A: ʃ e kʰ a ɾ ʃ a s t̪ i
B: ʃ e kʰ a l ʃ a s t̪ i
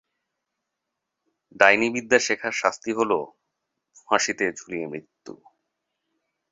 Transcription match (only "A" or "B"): A